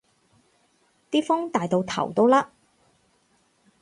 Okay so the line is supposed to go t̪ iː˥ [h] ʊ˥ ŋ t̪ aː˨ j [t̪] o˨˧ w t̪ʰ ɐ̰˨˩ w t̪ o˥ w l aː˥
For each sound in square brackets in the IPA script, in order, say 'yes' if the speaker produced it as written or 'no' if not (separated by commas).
no, yes